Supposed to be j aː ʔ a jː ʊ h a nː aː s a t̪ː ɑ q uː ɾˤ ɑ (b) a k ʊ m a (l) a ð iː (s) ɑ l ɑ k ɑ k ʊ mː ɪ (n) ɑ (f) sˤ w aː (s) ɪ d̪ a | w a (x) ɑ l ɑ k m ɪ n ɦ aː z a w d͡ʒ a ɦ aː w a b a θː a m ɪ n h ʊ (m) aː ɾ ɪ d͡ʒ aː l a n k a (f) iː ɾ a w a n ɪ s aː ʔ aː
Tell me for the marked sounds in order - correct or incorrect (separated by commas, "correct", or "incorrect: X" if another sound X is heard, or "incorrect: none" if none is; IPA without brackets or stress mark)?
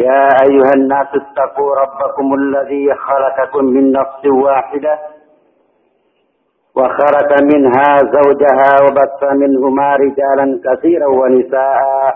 incorrect: bː, incorrect: lː, incorrect: x, incorrect: nː, correct, incorrect: ħ, correct, correct, incorrect: θ